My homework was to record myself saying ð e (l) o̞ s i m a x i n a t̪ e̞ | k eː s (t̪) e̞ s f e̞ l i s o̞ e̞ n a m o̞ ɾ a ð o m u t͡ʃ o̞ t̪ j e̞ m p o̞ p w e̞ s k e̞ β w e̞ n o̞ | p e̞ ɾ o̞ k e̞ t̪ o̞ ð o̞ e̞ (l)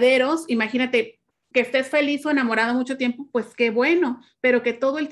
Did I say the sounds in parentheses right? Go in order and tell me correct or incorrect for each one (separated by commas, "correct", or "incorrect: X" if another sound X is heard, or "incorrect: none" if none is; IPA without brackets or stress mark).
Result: incorrect: ɾ, correct, correct